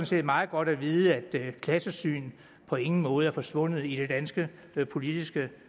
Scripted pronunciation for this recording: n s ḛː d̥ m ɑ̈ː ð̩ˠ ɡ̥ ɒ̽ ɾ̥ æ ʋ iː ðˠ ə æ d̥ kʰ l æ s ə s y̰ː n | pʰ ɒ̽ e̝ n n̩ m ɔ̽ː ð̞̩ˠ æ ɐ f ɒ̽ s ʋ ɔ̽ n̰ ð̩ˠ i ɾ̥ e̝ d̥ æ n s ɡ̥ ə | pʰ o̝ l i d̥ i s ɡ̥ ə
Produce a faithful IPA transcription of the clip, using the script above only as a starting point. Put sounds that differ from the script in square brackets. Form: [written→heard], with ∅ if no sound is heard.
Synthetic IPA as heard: n s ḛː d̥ m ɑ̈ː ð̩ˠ ɡ̥ ɒ̽ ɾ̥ æ ʋ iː ðˠ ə æ d̥ kʰ l æ s ə s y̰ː n | pʰ ɒ̽ e̝ [n→ŋ] n̩ m ɔ̽ː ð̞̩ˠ æ ɐ f ɒ̽ s ʋ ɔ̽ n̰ ð̩ˠ i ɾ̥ e̝ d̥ æ n s ɡ̥ ə | pʰ o̝ l i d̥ i s ɡ̥ ə